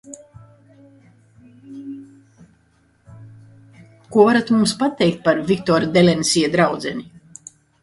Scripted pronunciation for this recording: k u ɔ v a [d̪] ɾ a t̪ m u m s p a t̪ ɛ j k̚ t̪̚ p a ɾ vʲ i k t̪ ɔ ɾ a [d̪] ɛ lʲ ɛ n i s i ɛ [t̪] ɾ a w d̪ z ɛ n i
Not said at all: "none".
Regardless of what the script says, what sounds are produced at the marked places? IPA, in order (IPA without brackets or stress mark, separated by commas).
none, d̪, d̪